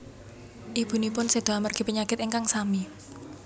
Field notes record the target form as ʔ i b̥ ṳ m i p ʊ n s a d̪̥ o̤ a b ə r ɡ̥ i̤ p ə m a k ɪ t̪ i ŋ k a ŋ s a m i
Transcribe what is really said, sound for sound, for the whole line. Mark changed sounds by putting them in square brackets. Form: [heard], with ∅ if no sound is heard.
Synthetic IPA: ʔ i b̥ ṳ [n] i p ʊ n s [e] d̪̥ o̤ a [m] ə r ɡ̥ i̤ p ə [ɲ] a k ɪ t̪ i ŋ k a ŋ s a m i